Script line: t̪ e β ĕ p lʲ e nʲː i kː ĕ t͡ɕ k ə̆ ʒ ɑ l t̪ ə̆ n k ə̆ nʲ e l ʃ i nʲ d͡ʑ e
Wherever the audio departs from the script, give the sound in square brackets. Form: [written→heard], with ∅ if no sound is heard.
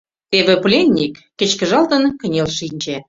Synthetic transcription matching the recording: t̪ e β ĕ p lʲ e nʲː i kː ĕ t͡ɕ k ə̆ ʒ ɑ l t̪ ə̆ n k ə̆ nʲ e l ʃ i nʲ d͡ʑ e